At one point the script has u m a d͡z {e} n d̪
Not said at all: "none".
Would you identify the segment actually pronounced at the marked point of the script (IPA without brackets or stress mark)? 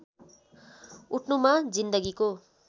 i